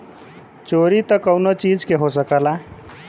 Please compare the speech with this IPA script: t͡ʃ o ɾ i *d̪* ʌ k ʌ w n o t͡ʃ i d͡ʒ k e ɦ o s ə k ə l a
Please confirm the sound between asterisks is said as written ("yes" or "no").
no